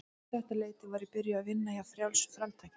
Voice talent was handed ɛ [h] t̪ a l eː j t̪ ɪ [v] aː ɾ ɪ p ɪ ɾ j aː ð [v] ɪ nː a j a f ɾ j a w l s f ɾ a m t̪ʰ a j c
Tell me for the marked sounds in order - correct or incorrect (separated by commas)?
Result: correct, correct, correct